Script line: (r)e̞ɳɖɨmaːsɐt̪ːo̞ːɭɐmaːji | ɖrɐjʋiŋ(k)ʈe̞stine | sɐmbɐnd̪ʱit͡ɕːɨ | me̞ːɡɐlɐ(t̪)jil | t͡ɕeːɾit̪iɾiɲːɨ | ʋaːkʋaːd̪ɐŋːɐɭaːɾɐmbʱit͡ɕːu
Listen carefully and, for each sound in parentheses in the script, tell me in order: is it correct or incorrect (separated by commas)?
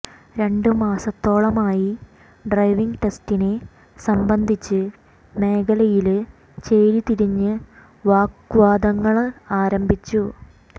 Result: incorrect, incorrect, incorrect